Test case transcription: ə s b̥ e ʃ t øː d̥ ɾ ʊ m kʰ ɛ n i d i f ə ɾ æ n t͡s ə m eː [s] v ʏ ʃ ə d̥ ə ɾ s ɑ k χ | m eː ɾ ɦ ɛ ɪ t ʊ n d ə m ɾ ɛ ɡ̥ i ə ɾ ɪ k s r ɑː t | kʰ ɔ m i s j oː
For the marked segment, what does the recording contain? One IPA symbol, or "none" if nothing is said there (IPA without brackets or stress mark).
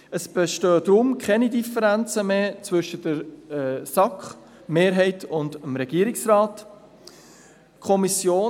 t͡s